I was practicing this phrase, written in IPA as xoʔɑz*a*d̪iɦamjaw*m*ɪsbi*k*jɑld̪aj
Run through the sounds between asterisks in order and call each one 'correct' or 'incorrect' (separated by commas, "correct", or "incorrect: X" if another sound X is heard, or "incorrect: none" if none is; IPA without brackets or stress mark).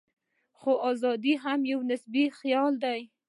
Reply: incorrect: ɑ, incorrect: n, incorrect: x